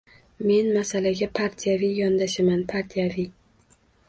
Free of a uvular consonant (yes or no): yes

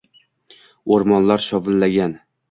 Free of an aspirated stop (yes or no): yes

